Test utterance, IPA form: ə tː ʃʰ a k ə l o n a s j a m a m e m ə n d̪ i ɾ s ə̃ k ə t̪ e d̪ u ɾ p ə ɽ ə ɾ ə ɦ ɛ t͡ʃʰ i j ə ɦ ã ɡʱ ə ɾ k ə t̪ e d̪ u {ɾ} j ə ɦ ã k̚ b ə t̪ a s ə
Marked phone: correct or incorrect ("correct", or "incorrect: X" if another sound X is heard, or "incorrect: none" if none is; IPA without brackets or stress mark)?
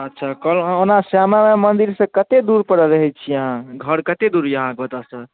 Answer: correct